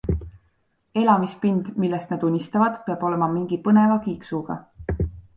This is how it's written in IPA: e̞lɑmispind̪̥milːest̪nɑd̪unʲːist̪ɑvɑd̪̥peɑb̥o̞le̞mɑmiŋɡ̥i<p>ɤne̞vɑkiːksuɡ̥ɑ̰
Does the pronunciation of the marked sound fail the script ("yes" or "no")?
no